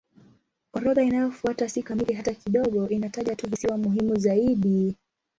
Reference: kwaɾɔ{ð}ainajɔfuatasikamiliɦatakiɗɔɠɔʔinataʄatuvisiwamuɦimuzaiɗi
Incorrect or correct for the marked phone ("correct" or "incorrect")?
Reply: correct